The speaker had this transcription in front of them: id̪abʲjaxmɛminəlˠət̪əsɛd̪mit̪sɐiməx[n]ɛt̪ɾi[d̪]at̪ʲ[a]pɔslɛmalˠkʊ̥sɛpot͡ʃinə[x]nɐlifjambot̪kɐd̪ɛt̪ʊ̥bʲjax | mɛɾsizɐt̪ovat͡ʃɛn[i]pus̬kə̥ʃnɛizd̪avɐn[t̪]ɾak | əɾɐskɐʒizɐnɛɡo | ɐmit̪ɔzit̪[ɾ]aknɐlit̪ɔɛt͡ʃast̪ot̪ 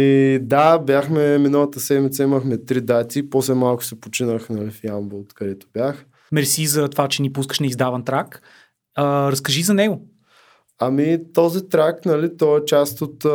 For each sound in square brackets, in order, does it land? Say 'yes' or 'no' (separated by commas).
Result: no, yes, no, yes, yes, yes, yes